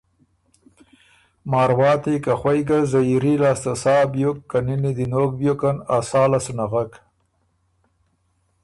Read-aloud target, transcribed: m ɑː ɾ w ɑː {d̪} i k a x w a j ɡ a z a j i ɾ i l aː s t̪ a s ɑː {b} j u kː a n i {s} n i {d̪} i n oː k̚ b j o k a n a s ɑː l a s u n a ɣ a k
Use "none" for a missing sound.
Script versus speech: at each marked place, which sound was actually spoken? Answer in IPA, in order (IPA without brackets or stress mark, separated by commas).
t̪, b, none, d̪